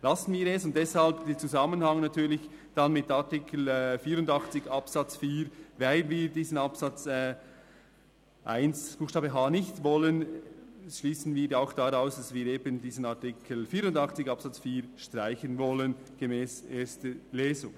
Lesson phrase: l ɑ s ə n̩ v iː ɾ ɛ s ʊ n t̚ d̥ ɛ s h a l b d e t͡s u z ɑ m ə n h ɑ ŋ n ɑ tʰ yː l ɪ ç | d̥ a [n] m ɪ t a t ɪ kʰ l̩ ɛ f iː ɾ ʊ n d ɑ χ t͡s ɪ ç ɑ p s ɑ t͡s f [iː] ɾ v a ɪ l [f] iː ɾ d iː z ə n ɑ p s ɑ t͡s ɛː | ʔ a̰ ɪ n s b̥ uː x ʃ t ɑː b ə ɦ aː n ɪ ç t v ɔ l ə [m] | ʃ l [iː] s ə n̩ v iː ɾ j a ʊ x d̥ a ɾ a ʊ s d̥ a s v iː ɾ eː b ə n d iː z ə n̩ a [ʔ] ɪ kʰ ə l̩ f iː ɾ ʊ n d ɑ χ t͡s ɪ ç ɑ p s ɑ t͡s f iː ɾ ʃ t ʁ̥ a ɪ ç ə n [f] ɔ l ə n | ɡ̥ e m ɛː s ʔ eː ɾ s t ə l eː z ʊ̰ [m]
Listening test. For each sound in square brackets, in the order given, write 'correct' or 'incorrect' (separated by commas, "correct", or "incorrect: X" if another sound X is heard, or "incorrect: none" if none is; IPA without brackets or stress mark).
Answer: correct, correct, incorrect: v, incorrect: n, correct, incorrect: t, incorrect: v, incorrect: ŋ